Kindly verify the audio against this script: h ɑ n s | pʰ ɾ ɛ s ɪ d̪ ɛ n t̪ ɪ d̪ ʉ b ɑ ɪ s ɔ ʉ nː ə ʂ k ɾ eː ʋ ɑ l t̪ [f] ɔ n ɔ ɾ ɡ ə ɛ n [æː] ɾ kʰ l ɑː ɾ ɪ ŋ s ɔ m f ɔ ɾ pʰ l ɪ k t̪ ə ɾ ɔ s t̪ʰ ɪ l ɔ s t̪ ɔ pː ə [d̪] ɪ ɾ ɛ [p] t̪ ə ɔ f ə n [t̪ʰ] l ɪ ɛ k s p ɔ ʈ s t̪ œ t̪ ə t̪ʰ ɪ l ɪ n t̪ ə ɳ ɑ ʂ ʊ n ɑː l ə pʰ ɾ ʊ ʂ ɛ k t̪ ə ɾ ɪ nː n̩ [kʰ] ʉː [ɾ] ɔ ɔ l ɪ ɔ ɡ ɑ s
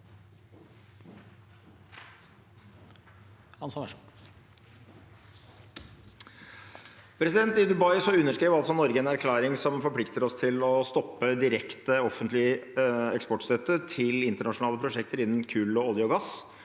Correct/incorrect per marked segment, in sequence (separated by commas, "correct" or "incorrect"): incorrect, incorrect, correct, incorrect, incorrect, correct, incorrect